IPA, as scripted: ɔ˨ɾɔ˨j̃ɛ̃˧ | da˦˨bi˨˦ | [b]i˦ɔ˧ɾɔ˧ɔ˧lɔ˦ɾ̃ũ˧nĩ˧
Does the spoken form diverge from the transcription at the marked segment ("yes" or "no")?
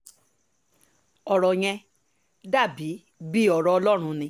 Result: no